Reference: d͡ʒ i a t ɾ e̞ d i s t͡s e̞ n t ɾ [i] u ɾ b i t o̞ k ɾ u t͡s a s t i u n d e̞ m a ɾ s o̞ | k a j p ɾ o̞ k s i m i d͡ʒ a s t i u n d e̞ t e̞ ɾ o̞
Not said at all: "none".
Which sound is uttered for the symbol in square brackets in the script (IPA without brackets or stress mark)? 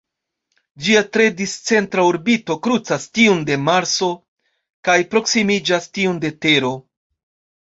a